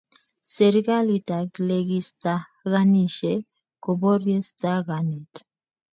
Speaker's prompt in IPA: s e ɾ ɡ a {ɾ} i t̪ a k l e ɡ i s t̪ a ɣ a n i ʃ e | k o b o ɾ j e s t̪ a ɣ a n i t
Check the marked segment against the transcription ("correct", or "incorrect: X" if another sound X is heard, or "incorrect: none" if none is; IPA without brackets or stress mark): incorrect: l